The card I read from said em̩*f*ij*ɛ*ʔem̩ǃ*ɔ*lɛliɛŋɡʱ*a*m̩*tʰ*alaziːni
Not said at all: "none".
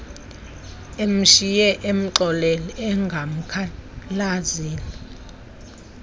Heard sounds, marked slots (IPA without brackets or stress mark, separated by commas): ʃ, ɛ, ɔ, a, kʰ